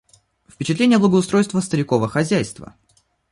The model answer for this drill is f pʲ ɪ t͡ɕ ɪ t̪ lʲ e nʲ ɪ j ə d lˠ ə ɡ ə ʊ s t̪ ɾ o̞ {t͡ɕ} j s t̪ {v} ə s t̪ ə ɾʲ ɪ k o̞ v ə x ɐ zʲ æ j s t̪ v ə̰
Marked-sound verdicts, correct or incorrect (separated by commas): incorrect, correct